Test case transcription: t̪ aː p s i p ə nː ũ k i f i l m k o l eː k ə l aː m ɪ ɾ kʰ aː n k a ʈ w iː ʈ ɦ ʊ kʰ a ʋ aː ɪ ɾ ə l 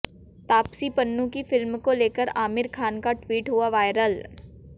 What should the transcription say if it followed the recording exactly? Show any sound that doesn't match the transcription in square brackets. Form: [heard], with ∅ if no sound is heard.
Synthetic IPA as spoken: t̪ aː p s i p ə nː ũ k i f [ɪ] l m k o l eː k ə [ɾ] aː m ɪ ɾ kʰ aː n k a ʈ w iː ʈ ɦ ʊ [∅] a ʋ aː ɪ ɾ ə l